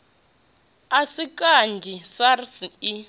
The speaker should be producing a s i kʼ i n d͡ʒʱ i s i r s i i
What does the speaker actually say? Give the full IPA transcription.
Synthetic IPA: a s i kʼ a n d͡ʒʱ i s a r s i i